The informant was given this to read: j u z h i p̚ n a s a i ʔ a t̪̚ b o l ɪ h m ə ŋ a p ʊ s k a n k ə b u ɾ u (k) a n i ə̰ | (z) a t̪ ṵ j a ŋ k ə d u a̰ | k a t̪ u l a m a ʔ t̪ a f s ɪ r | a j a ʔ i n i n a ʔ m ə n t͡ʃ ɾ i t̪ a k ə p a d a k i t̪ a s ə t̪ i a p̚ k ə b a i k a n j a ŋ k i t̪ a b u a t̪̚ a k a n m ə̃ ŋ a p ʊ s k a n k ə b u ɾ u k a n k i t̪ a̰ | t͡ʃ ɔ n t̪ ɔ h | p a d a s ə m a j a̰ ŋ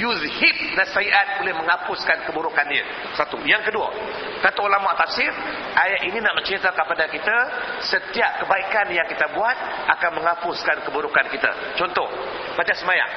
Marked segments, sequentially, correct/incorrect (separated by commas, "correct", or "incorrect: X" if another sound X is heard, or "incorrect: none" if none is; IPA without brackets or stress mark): correct, incorrect: s